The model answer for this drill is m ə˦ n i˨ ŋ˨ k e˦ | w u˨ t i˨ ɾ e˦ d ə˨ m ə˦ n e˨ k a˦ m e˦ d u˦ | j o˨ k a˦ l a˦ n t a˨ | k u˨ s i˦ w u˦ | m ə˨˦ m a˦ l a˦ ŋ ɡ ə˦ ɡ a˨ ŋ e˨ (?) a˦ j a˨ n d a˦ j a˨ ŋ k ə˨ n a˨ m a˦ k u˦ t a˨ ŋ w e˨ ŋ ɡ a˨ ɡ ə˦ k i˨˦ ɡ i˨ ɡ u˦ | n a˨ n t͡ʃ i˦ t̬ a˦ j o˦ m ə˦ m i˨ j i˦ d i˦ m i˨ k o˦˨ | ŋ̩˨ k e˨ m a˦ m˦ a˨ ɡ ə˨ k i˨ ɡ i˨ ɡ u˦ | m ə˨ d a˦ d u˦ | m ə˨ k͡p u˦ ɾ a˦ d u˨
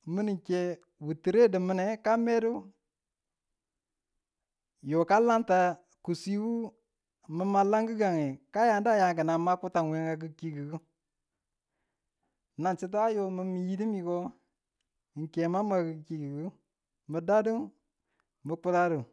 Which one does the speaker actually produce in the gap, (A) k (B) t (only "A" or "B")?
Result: A